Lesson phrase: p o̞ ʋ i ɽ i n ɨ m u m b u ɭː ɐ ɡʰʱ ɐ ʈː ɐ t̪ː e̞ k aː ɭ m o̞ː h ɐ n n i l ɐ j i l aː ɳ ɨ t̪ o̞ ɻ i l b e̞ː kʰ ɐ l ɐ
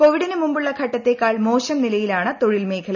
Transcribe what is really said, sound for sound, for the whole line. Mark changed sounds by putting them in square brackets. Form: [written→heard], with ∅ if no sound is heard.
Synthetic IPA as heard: p o̞ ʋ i ɽ i n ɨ m u m b u ɭː ɐ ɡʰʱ ɐ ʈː ɐ t̪ː e̞ k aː ɭ m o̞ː [h→ɕ] ɐ [n→m] n i l ɐ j i l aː ɳ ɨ t̪ o̞ ɻ i l [b→m] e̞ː kʰ ɐ l ɐ